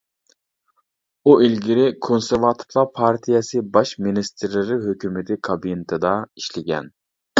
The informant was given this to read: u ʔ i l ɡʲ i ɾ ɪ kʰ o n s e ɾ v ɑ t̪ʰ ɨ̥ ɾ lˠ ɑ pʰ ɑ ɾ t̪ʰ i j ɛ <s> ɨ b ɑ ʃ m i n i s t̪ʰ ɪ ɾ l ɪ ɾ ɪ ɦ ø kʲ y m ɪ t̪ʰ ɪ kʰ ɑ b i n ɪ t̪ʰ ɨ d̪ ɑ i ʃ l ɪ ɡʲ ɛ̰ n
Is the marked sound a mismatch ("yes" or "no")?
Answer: no